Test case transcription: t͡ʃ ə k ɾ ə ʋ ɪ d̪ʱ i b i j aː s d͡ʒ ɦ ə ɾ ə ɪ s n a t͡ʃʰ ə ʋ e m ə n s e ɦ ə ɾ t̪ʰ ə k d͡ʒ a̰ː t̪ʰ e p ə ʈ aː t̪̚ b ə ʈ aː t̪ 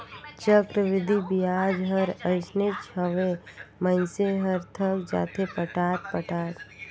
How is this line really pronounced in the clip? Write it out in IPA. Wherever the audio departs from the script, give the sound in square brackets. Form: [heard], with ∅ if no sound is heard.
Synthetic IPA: t͡ʃ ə k ɾ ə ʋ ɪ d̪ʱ i b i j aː [∅] d͡ʒ ɦ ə ɾ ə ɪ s n [e] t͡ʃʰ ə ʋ e m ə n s e ɦ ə ɾ t̪ʰ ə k d͡ʒ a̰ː t̪ʰ e p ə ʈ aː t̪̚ [p] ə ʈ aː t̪